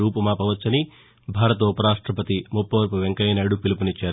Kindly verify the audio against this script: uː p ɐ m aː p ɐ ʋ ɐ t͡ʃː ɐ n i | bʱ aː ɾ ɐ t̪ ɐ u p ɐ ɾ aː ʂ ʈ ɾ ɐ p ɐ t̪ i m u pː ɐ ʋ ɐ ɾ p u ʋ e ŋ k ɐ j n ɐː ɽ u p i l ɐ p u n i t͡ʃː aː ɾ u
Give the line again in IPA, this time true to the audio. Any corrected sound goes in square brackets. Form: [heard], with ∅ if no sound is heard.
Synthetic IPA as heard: uː p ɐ m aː p ɐ ʋ ɐ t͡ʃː ɐ n i | bʱ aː ɾ ɐ t̪ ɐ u p ɐ ɾ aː ʂ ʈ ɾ ɐ p ɐ t̪ i m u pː ɐ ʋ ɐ ɾ p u ʋ e ŋ k ɐ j n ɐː ɽ u p i l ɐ p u n i t͡ʃː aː ɾ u